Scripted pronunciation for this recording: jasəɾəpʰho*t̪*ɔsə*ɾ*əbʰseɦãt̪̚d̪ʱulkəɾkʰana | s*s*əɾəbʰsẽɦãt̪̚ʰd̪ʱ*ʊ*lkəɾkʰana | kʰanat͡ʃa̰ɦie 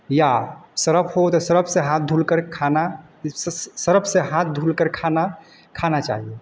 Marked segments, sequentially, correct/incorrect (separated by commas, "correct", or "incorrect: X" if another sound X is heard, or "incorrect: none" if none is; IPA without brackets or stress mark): correct, correct, correct, incorrect: u